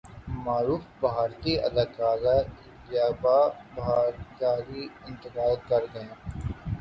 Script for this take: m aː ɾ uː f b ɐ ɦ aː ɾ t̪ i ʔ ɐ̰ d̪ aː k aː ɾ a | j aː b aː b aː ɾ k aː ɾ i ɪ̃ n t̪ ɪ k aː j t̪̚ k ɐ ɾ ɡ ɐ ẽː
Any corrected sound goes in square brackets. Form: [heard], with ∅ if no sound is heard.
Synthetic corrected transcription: m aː ɾ uː f b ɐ ɦ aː ɾ t̪ i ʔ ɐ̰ d̪ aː k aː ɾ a | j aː b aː b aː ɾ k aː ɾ i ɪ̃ n t̪ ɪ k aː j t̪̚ k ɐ ɾ ɡ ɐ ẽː